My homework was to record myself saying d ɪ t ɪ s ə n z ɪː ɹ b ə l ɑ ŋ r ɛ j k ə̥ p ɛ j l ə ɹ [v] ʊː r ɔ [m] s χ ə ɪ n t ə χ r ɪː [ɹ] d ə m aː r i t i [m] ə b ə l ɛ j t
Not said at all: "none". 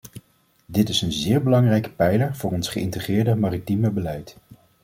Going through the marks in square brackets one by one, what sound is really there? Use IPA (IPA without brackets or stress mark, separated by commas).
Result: v, n, ɹ, m